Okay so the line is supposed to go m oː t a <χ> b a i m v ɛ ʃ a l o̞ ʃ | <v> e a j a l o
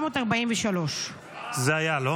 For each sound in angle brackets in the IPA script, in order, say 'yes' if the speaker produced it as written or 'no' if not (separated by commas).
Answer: no, no